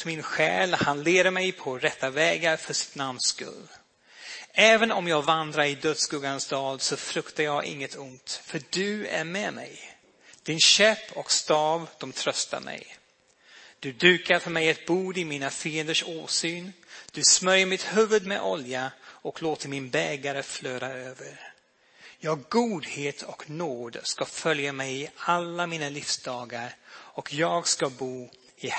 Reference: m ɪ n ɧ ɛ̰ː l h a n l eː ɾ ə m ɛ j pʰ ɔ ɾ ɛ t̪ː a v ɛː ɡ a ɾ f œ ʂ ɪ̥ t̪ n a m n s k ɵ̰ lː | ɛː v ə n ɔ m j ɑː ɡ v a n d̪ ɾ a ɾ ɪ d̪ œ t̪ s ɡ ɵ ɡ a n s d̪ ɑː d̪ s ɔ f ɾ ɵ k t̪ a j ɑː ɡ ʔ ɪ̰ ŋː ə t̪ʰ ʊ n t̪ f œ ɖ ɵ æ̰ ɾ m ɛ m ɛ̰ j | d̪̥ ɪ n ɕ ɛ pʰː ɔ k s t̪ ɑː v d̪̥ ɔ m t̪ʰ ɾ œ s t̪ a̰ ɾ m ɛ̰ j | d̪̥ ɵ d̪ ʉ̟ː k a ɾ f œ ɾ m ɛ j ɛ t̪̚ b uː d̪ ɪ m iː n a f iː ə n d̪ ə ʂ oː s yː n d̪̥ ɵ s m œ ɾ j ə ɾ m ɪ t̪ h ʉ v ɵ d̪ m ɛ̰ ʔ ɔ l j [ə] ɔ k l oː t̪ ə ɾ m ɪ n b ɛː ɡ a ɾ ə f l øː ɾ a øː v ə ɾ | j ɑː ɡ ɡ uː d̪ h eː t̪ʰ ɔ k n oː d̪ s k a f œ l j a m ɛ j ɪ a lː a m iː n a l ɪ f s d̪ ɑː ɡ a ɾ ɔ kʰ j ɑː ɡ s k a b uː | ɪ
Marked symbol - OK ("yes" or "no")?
no